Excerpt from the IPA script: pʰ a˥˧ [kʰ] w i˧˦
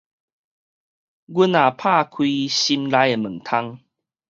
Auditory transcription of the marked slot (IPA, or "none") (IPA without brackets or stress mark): kʰ